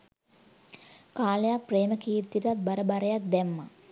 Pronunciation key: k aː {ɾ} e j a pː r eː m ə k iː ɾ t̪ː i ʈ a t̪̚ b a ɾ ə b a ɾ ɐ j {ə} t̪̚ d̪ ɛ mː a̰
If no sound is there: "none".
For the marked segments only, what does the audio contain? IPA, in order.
l, a

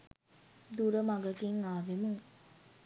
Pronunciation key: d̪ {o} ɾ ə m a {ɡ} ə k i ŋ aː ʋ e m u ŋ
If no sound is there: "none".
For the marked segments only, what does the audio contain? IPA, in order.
u, ɡ

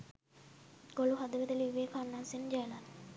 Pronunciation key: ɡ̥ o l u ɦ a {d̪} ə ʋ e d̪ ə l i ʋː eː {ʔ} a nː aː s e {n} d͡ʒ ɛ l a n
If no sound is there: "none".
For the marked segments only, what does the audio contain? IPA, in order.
d̪, k, n

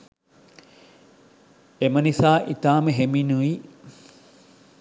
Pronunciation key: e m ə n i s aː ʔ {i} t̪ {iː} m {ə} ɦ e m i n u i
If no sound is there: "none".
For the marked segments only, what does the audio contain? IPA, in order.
i, aː, ə

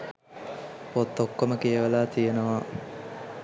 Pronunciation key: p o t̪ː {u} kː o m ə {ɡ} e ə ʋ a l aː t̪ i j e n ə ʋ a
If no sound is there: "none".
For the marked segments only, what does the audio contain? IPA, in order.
o, k

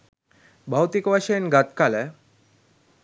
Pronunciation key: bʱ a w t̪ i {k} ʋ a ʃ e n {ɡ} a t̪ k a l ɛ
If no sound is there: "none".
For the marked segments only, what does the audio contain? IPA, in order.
k, ɡ

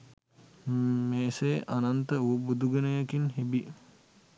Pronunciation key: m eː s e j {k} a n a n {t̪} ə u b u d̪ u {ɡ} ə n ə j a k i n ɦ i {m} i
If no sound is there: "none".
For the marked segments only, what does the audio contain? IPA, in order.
ʔ, t̪, ɡ, b

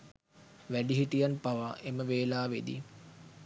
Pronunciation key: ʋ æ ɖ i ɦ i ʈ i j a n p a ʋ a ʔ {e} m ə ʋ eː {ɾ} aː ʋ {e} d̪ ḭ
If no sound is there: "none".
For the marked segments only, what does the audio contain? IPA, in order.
e, l, e

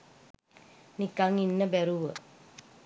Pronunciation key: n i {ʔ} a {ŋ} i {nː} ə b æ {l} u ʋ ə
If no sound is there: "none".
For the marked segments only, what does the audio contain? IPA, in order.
k, ŋ, nː, ɾ

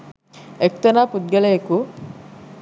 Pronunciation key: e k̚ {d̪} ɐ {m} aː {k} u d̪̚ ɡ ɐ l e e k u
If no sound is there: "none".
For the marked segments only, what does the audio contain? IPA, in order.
t̪, n, p

